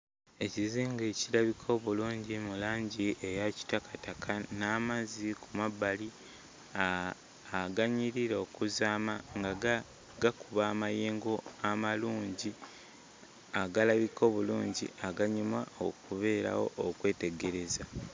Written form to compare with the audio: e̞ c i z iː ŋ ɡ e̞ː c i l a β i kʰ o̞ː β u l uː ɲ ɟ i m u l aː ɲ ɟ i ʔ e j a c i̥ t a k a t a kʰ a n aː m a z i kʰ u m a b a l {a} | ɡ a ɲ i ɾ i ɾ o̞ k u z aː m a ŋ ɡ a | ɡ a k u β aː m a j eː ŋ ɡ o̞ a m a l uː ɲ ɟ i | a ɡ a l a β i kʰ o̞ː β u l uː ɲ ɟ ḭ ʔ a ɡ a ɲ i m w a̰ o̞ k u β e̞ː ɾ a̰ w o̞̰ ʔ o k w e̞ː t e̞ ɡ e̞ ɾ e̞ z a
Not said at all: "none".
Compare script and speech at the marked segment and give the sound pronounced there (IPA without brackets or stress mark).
i